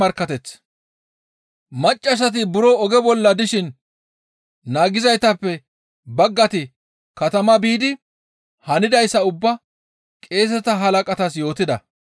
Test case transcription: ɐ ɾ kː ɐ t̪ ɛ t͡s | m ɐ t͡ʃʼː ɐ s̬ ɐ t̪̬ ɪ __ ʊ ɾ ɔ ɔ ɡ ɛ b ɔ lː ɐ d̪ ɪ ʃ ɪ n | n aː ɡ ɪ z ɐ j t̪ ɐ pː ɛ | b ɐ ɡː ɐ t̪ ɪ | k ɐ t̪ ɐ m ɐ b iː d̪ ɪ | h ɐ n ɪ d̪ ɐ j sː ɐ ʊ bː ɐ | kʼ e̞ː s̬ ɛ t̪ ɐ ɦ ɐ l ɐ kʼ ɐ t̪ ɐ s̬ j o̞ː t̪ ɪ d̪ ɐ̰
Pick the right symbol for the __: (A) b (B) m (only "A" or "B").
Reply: A